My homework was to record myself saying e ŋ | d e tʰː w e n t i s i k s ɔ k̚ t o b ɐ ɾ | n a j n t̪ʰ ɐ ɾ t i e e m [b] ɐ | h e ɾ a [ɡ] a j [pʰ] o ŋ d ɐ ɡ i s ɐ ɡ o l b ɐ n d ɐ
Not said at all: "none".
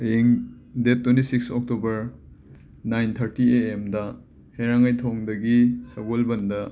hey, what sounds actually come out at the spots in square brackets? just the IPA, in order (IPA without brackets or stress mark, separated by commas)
d, ŋ, tʰ